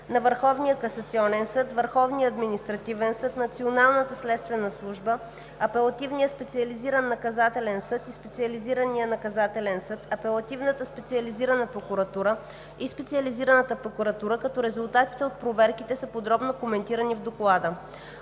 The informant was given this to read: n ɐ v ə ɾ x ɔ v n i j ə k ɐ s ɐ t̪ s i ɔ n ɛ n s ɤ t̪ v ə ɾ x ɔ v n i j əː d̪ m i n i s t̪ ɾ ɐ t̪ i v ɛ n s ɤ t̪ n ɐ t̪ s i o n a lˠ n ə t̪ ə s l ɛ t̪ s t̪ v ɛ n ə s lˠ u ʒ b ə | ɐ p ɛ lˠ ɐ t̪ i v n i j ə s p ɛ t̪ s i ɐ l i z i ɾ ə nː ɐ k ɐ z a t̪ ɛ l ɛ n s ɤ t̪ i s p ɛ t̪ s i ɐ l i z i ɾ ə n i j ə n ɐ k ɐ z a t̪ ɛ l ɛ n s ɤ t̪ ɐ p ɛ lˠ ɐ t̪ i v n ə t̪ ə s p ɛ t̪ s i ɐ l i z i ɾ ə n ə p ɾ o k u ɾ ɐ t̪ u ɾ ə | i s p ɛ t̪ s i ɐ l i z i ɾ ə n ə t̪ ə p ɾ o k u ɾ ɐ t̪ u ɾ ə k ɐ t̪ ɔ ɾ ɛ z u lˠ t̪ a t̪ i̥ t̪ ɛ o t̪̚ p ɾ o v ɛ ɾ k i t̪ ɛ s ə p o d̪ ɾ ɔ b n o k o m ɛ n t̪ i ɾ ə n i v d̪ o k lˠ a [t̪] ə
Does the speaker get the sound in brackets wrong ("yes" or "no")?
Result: yes